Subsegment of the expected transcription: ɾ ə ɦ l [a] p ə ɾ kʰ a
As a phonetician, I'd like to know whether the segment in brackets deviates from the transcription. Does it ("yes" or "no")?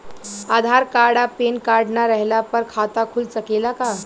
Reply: no